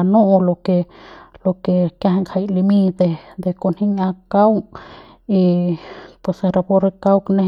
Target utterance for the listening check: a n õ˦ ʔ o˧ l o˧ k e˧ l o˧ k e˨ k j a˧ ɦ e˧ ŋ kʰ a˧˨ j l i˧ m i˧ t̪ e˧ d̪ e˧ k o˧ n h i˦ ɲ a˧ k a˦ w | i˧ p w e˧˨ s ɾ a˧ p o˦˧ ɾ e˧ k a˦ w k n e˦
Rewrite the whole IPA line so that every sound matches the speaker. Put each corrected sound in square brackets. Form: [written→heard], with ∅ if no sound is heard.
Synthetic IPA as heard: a n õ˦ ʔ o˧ l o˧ k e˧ l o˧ k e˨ k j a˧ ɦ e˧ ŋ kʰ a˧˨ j l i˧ m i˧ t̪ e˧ d̪ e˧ k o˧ n h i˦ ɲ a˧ k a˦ w | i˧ p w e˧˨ s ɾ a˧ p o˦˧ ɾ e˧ k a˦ w k n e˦